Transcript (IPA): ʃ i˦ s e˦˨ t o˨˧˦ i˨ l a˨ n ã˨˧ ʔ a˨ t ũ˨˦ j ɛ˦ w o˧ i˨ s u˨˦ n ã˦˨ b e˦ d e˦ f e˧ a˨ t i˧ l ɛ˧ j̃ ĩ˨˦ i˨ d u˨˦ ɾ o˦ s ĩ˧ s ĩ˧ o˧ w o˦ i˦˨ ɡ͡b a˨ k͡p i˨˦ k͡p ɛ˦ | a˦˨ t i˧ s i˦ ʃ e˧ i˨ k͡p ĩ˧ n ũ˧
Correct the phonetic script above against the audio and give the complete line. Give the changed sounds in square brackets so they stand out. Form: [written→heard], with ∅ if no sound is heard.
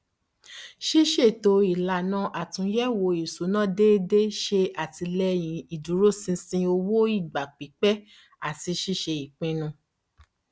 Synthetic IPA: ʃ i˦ [s→ʃ] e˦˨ t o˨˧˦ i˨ l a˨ n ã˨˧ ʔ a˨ t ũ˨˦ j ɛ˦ w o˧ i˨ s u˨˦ n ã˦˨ [b→d] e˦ d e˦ [f→ʃ] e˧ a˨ t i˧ l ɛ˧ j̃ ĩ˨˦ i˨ d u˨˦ ɾ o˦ s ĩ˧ s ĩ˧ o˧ w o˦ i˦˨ ɡ͡b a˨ k͡p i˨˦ k͡p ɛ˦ | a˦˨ t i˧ [s→ʃ] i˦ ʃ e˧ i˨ k͡p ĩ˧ n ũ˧